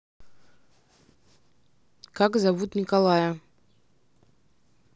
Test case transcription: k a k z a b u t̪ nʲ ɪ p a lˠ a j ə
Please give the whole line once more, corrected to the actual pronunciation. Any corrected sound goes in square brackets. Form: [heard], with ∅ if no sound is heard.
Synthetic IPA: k a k z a [v] u t̪ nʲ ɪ [k] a lˠ a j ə